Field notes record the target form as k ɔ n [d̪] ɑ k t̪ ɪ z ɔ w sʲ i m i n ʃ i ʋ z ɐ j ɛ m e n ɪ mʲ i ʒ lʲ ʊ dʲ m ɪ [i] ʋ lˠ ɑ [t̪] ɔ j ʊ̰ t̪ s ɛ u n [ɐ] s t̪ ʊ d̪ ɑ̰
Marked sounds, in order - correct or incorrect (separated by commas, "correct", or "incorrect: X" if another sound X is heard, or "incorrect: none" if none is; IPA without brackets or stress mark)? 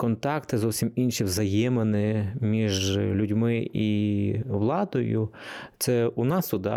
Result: incorrect: t̪, correct, incorrect: d̪, incorrect: ɑ